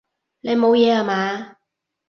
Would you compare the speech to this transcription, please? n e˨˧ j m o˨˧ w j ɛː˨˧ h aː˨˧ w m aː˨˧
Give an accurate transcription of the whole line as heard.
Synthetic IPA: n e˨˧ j m o˨˧ w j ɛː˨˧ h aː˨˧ m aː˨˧